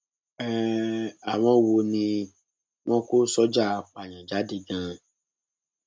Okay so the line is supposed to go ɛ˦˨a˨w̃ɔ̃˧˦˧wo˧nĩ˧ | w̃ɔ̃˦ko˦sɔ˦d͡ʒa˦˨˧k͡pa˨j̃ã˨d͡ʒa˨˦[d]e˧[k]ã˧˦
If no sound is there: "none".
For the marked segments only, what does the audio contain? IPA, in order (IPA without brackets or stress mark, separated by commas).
d, ɡ